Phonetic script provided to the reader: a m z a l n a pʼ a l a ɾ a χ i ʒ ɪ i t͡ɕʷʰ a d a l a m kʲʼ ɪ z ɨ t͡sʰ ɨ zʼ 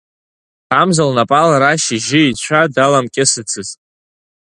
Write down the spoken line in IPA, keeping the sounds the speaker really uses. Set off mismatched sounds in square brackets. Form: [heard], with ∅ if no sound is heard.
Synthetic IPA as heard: a m z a l n a pʼ a l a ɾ a [ʃ] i ʒ ɪ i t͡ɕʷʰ a d a l a m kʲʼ ɪ [s] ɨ t͡sʰ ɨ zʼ